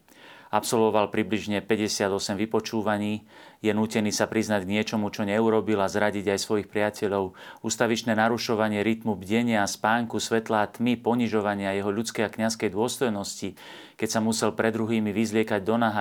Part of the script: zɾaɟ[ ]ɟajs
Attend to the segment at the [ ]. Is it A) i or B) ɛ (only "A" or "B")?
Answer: A